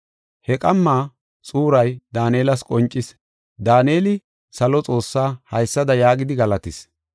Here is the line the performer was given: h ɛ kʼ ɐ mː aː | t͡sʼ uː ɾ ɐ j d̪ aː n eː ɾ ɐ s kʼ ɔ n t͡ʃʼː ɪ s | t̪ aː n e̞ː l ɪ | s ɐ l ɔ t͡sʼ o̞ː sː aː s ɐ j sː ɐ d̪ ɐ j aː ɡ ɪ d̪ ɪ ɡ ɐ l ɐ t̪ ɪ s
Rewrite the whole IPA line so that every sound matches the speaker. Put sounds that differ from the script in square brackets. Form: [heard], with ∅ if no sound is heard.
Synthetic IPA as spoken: h ɛ kʼ ɐ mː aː | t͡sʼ uː ɾ ɐ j d̪ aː n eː [l] ɐ s kʼ ɔ n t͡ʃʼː ɪ s | [d̪] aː n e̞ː l ɪ | s ɐ l ɔ t͡sʼ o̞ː sː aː [h] ɐ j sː ɐ d̪ ɐ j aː ɡ ɪ d̪ ɪ ɡ ɐ l ɐ t̪ ɪ s